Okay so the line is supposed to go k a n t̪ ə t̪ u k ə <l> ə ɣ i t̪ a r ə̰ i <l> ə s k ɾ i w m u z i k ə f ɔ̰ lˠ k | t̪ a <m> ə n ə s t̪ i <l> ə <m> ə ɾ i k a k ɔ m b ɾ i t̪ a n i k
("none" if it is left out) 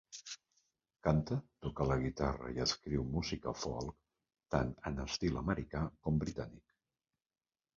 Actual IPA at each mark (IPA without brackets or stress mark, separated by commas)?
l, none, n, l, m